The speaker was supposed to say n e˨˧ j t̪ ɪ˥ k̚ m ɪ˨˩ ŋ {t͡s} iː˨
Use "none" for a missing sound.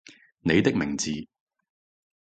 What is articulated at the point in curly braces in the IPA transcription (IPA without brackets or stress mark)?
t͡s